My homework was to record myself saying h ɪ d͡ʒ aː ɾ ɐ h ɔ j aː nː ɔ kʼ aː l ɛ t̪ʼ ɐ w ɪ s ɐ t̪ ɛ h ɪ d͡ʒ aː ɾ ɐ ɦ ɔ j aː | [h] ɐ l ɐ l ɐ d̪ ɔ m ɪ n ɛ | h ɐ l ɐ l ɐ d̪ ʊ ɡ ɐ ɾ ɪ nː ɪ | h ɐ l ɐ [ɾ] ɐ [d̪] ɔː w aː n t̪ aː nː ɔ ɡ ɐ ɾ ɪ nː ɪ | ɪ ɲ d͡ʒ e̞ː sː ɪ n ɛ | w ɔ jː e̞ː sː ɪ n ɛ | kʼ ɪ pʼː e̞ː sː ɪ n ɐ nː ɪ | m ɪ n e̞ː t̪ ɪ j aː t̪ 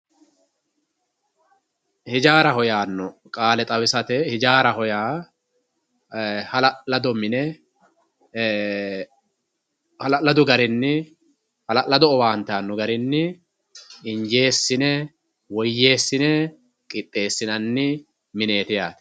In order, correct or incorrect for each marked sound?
correct, incorrect: l, correct

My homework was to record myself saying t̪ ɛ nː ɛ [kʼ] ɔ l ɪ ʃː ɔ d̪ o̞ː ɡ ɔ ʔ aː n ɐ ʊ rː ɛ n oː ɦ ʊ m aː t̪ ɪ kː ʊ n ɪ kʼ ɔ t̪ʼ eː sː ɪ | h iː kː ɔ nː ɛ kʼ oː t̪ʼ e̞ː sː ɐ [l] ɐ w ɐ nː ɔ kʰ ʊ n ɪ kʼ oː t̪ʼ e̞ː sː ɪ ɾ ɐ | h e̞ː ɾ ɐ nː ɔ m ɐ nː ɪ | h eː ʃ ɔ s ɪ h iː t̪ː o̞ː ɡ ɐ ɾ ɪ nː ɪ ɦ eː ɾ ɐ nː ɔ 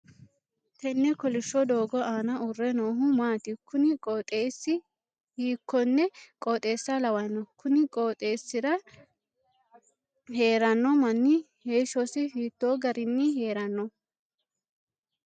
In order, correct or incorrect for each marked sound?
incorrect: k, correct

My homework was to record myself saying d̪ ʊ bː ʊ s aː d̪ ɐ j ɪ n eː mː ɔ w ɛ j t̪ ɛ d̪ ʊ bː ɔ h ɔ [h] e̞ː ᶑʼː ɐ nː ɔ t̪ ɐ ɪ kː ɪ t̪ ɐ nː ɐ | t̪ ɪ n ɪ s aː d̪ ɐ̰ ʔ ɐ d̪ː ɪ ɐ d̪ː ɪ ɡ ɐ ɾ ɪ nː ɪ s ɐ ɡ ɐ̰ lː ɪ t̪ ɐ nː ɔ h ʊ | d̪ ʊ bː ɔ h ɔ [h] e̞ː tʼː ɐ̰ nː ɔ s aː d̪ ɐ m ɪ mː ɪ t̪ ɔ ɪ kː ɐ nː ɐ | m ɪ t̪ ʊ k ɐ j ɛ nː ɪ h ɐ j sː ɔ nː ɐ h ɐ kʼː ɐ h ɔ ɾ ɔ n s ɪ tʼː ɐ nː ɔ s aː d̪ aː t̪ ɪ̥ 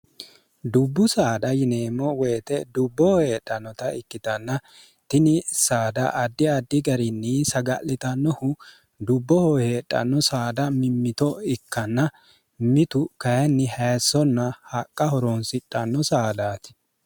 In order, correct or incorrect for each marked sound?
correct, correct

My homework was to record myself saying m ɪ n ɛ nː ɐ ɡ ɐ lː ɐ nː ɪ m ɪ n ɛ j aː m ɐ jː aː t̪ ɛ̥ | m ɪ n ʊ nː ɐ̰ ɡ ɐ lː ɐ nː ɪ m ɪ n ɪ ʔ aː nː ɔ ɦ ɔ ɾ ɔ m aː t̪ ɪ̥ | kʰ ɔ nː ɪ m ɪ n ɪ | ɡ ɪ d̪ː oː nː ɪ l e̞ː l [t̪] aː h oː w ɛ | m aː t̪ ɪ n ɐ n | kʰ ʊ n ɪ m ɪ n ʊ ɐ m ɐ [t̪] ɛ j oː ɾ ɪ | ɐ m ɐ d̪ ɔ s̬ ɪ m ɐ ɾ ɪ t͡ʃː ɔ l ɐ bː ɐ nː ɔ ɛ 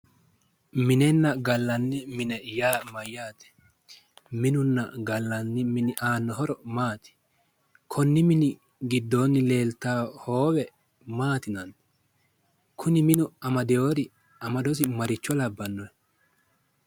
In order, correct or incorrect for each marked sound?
correct, incorrect: d̪

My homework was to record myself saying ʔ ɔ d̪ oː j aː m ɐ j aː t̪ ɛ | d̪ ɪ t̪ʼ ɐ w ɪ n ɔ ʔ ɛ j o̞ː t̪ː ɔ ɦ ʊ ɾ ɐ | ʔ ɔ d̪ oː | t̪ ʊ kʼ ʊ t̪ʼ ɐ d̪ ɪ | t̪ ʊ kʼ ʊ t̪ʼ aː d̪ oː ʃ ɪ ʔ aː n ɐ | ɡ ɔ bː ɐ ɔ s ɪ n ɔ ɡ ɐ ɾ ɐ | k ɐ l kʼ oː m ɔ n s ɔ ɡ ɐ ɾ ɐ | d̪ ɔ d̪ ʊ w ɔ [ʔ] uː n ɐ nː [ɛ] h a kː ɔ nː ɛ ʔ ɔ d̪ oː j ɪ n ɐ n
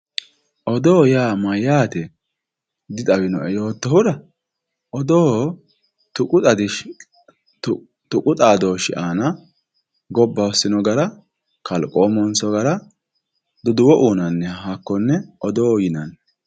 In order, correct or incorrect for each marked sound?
correct, correct

